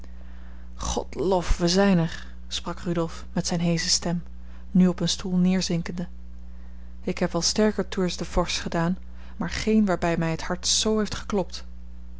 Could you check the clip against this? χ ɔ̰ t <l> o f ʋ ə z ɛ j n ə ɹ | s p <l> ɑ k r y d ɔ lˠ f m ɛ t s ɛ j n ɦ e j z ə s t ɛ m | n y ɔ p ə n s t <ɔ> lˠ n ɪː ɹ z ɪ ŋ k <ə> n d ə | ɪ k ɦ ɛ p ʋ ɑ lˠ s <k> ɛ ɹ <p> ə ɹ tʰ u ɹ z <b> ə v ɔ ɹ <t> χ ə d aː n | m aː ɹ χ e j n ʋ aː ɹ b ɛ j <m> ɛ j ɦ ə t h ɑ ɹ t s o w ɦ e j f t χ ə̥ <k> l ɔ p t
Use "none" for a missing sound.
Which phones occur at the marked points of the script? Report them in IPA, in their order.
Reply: l, r, u, ə, t, k, d, s, m, k

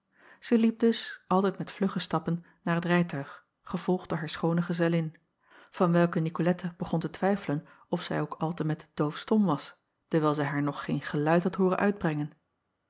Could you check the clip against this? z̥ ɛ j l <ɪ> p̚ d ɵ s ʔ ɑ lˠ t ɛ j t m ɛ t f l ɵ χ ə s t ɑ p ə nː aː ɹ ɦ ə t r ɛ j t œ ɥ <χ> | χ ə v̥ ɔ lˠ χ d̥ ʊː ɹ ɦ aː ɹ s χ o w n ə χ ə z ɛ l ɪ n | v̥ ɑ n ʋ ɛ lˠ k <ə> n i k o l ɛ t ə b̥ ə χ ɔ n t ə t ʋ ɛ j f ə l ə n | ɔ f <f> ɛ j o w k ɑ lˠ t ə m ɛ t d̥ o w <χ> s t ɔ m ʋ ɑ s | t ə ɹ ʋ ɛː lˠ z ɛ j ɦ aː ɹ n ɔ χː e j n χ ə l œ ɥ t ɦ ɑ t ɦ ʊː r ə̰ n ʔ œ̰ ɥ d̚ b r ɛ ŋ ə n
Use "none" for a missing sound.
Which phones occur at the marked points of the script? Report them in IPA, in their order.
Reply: i, χ, ə, s, f

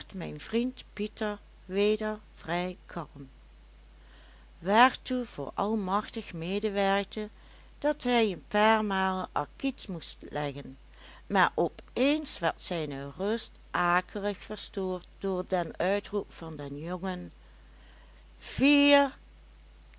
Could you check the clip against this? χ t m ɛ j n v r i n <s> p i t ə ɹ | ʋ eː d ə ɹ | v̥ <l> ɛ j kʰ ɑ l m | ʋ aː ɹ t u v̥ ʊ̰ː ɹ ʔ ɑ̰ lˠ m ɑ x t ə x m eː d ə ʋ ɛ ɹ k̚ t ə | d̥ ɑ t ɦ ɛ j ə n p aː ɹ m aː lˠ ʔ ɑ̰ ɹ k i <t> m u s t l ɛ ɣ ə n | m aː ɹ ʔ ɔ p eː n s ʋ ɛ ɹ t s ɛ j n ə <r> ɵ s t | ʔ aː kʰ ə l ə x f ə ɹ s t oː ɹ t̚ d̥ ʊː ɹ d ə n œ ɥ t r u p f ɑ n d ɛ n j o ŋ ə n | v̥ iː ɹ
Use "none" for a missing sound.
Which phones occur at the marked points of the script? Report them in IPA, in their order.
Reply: t, r, t, r

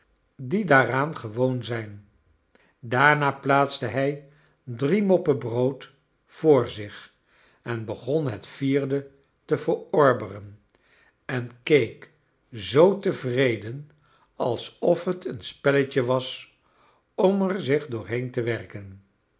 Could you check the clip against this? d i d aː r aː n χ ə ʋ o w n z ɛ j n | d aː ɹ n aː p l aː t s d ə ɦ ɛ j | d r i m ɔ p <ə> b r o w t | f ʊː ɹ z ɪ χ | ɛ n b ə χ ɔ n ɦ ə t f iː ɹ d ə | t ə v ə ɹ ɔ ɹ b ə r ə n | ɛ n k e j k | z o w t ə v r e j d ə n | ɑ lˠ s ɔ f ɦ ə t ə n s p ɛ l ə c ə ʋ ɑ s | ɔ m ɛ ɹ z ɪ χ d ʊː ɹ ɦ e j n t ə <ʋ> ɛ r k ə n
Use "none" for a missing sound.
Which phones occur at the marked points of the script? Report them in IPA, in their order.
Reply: ə, ʋ

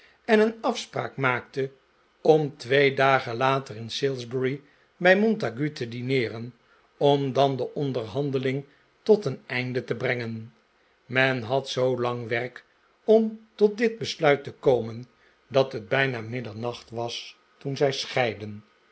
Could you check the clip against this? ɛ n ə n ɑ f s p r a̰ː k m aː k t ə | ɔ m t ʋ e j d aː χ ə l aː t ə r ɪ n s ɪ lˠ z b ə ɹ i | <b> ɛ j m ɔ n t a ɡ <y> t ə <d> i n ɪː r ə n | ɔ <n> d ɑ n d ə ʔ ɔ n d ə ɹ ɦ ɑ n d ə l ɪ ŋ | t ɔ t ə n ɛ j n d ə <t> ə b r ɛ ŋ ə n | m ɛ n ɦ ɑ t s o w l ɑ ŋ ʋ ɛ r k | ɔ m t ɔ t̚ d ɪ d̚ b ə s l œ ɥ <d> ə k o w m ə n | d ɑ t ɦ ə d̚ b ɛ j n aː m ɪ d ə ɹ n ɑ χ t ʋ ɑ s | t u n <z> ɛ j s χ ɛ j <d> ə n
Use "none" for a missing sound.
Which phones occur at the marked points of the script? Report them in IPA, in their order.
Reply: b, y, d, m, t, t, z, d

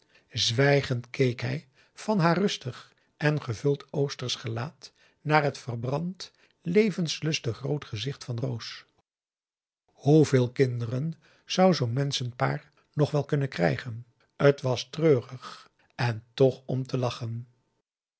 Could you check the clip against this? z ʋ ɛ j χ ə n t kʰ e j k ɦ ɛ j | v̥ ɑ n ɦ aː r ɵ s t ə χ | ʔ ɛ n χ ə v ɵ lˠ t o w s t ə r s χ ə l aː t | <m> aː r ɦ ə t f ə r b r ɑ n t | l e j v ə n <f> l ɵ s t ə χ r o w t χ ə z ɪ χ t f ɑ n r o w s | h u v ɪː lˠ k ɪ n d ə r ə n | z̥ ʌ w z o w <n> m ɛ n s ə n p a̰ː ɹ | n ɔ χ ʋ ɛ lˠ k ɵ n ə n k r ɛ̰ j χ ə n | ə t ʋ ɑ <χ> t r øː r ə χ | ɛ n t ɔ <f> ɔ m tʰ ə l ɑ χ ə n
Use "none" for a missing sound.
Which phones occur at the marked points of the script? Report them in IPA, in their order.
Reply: n, s, n, s, χ

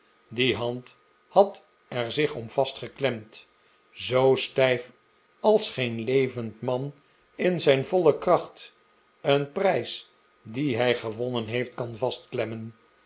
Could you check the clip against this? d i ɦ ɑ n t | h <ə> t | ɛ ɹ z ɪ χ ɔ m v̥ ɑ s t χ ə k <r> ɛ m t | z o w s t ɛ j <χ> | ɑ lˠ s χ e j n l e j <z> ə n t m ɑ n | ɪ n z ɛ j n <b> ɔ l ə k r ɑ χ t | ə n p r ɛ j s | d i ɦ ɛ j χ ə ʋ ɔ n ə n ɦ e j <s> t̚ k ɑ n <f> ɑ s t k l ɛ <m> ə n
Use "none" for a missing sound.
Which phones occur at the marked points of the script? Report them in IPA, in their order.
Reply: ɑ, l, f, v, v, f, v, m

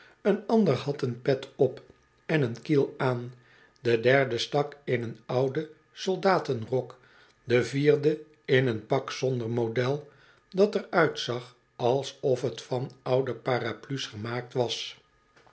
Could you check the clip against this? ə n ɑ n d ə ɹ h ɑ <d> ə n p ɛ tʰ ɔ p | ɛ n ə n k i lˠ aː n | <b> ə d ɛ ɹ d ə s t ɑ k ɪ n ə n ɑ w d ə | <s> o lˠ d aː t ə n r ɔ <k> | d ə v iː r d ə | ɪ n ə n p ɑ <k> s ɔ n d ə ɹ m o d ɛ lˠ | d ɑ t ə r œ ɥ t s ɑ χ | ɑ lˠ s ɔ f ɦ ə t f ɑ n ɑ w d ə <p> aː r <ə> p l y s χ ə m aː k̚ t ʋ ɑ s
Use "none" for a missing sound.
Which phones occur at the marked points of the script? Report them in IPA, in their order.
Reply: t, d, s, k, k, p, a

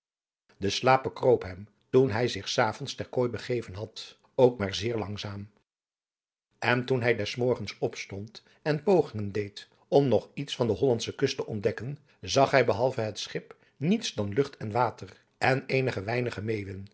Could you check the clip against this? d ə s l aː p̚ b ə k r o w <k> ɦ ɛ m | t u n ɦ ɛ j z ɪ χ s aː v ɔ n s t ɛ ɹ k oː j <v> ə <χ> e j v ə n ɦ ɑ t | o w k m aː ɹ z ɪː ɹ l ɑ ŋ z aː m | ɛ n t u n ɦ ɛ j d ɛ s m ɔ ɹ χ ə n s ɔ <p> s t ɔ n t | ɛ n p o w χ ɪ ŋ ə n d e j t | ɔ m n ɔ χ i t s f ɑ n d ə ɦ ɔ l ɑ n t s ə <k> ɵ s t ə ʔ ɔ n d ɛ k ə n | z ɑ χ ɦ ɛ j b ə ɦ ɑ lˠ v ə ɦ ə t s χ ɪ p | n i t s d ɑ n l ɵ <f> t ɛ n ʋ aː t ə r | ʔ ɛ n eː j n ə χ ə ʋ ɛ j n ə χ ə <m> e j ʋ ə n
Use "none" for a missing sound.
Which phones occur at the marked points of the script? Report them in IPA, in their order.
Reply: p, b, χ, p, k, χ, m

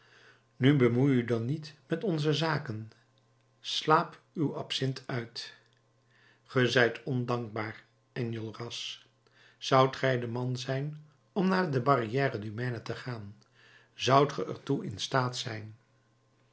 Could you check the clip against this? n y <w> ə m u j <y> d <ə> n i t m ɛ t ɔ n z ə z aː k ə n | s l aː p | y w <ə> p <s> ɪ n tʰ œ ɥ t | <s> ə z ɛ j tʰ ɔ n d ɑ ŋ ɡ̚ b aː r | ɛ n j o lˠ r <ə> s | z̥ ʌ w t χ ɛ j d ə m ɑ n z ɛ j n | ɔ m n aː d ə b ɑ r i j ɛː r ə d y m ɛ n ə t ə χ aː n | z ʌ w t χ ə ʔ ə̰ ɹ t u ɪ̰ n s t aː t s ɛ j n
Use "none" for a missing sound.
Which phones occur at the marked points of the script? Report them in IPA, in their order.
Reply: b, y, ɑ, ɑ, s, χ, ɑ

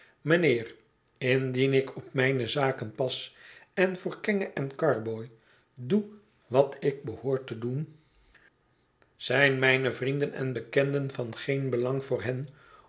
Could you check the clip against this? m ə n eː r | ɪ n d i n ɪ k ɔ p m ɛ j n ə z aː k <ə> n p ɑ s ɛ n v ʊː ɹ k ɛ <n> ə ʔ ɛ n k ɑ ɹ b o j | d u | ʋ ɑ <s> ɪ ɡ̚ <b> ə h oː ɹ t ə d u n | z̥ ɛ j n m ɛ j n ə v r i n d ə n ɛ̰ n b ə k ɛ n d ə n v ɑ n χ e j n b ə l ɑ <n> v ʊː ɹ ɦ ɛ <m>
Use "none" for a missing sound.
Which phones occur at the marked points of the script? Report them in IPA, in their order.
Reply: ə, ŋ, t, b, ŋ, n

